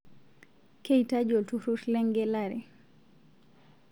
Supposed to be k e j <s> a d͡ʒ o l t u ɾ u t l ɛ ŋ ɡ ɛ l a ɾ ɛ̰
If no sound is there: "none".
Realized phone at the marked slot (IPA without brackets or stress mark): t